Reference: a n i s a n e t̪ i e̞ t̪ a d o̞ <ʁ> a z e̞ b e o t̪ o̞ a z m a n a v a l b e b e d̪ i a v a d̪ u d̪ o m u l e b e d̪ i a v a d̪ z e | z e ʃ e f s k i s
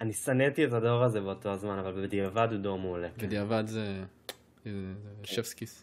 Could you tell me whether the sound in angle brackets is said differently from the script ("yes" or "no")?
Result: no